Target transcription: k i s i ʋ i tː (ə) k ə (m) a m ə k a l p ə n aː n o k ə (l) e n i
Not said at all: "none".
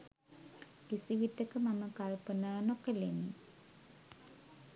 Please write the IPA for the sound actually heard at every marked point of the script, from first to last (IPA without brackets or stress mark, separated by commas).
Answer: ə, m, l